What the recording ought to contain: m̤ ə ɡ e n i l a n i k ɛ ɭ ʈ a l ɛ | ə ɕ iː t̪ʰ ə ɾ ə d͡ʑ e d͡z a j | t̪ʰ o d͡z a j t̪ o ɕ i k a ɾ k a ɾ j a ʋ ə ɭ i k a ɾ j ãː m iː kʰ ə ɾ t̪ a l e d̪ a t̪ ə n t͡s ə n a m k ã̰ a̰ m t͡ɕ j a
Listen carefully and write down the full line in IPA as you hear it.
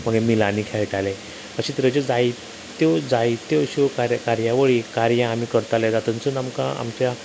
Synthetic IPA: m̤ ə ɡ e m i l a n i kʰ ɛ ɭ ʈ a l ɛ | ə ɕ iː t̪ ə ɾ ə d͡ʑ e d͡z a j | t̪ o d͡z a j t̪ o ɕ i k a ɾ k a ɾ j a ʋ ə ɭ i k a ɾ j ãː m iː k ə ɾ t̪ a l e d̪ a t̪ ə n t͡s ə n a m k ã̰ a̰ m t͡ɕ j a

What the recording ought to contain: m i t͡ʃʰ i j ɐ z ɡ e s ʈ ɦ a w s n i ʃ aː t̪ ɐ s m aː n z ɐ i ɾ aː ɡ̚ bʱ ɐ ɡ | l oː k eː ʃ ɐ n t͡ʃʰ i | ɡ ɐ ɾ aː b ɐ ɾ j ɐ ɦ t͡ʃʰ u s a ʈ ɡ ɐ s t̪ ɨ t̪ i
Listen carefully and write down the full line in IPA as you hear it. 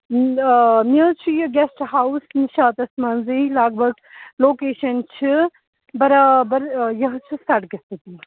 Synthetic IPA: m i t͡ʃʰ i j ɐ ɡ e s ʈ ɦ a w s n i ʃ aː t̪ ɐ s m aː n z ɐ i l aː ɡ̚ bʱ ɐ ɡ | l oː k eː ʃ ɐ n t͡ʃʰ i | b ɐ ɾ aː b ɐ ɾ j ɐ ɦ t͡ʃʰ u s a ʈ ɡ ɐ s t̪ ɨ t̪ i

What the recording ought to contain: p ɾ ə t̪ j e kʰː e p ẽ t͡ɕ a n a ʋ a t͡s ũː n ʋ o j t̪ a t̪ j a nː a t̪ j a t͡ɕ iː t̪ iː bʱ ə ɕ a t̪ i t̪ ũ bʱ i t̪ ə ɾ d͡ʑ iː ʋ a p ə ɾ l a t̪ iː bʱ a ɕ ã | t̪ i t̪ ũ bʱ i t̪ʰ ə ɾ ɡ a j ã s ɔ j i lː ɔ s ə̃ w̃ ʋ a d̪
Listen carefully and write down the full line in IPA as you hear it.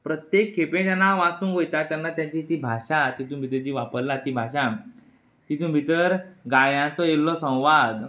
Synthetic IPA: p ɾ ə t̪ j e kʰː e p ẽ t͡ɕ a n a ʋ a t͡s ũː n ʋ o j t̪ a t̪ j a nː a t̪ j a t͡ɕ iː t̪ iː bʱ a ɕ a t̪ i t̪ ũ bʱ i t̪ ə ɾ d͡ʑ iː ʋ a p ə ɾ l a t̪ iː bʱ a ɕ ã | t̪ i t̪ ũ bʱ i t̪ ə ɾ ɡ a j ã t͡s ɔ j e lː ɔ s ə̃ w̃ ʋ a d̪

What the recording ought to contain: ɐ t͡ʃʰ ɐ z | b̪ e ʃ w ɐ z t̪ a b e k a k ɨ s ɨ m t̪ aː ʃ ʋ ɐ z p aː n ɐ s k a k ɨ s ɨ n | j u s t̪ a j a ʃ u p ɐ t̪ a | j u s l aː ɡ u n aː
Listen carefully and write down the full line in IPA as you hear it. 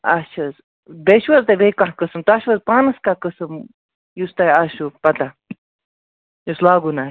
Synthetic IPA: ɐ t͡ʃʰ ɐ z | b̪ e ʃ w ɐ z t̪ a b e k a k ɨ s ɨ m t̪ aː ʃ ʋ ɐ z p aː n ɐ s k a k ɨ s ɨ m | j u s t̪ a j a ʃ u p ɐ t̪ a | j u s l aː ɡ u n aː

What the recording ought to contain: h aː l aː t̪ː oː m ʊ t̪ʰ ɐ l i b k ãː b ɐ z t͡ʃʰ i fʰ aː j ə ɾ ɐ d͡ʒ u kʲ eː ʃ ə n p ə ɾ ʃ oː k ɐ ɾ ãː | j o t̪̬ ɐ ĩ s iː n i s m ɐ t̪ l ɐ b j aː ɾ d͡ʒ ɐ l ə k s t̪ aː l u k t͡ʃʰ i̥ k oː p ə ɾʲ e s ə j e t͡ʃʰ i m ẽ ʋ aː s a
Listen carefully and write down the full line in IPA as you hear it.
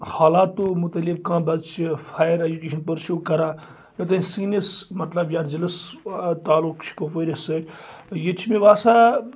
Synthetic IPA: h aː l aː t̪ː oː m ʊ t̪ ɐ l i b k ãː b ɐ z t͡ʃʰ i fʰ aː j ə ɾ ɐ d͡ʒ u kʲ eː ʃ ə n p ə ɾ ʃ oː k ɐ ɾ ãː | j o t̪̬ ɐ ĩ s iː n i s m ɐ t̪ l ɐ b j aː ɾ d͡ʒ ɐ l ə s t̪ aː l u k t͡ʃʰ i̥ k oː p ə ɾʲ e s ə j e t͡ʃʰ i m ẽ ʋ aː s a

